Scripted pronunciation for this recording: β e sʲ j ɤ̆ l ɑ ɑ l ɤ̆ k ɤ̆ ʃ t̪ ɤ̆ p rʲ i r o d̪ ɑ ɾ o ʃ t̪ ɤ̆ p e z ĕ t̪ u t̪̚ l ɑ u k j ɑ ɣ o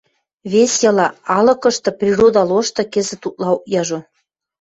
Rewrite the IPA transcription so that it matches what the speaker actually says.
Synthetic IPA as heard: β e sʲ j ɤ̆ l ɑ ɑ l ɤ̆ k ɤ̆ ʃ t̪ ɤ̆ p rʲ i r o d̪ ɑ l o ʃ t̪ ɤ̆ k e z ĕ t̪ u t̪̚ l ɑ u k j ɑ ʒ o